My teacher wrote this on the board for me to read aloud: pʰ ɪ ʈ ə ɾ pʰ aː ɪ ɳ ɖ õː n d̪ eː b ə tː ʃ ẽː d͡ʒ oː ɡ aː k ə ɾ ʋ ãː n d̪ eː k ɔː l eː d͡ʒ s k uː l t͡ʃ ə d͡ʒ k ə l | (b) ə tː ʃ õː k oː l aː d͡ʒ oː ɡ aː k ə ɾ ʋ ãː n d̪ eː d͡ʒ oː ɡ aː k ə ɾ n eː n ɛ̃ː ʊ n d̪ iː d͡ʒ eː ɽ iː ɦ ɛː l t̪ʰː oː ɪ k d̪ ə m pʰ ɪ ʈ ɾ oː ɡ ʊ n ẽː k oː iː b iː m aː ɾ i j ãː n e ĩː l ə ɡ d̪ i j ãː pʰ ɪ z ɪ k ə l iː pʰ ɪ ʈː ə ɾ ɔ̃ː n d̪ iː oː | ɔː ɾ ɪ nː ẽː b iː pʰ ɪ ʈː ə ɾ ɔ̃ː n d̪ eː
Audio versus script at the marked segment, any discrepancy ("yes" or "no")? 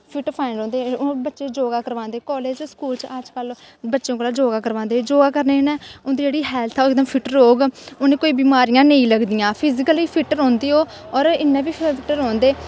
no